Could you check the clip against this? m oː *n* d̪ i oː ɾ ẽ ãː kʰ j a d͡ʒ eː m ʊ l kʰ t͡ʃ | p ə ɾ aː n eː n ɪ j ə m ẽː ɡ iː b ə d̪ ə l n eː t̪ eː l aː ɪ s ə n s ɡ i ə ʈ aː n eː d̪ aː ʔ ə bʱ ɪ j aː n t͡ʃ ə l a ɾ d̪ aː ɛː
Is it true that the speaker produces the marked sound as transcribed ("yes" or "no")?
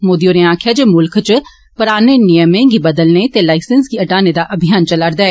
no